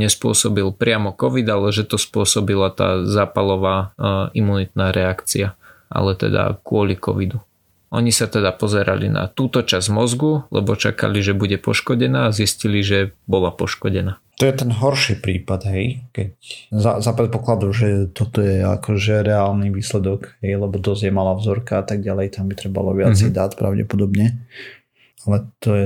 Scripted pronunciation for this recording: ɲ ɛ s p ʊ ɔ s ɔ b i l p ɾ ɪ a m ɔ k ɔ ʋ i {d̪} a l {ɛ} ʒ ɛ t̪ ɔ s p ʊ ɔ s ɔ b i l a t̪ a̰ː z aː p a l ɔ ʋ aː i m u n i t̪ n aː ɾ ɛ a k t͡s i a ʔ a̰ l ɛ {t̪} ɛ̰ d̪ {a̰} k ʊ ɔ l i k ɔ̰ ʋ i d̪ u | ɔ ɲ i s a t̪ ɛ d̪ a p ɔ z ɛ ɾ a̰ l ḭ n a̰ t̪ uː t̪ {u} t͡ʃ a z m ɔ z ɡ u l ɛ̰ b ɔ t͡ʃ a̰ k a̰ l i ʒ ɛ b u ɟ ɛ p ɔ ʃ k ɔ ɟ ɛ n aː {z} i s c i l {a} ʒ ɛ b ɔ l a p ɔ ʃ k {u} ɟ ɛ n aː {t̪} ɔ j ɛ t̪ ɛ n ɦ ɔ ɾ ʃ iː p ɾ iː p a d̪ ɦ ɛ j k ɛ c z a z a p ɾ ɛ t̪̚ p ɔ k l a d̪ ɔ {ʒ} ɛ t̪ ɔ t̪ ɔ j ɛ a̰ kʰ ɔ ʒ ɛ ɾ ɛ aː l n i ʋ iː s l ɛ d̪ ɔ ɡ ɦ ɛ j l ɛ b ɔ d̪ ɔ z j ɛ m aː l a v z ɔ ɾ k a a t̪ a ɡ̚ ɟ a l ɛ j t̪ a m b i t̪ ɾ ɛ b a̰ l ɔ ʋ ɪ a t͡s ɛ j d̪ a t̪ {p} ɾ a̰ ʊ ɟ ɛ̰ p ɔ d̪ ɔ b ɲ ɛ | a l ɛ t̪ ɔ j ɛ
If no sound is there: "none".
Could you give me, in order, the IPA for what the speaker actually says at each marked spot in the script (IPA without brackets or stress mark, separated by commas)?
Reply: d̪, ɛ, t̪, a̰, ɔ, z, i, ɔ, t̪, ʒ, p